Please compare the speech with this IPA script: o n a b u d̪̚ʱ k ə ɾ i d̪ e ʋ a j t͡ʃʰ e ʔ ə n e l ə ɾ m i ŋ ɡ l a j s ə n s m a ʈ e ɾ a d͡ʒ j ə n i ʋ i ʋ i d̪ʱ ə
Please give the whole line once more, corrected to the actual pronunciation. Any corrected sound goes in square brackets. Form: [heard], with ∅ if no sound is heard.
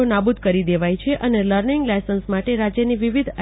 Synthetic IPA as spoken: o n a b u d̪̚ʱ k ə ɾ i d̪ e ʋ a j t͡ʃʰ e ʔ ə n e l ə ɾ [n] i ŋ ɡ l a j s ə n s m a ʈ e ɾ a d͡ʒ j ə n i ʋ i ʋ i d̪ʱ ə